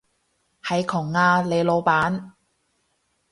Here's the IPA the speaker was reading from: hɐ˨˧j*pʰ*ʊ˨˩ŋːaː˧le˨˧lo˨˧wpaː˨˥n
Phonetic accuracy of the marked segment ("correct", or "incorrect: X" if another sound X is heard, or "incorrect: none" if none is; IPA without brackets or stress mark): incorrect: kʰ